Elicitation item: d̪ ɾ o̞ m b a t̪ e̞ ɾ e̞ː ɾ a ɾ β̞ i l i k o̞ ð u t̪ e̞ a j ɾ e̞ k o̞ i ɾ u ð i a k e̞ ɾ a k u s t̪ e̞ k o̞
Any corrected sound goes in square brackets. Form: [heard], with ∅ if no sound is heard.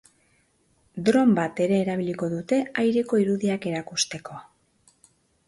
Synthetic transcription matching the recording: d̪ ɾ o̞ m b a t̪ e̞ ɾ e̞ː ɾ a [∅] β̞ i l i k o̞ ð u t̪ e̞ a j ɾ e̞ k o̞ i ɾ u ð i a k e̞ ɾ a k u s t̪ e̞ k o̞